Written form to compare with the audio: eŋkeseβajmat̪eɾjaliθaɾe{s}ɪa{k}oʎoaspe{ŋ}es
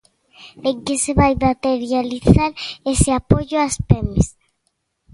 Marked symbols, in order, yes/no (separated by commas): yes, no, no